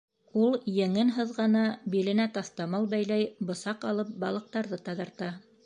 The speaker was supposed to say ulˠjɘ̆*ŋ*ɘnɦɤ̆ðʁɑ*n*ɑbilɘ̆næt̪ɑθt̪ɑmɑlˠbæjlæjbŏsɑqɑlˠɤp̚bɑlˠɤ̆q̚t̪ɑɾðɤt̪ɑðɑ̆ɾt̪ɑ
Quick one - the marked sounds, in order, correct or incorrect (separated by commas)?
correct, correct